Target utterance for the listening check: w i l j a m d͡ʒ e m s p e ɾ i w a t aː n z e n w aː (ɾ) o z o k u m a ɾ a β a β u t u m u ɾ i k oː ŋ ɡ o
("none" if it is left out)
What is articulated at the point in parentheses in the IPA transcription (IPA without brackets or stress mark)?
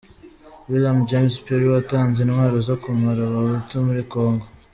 ɾ